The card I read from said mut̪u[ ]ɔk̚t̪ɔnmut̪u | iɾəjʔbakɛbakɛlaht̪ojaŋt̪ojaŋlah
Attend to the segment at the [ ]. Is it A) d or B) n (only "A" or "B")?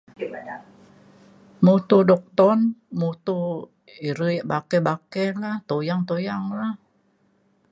A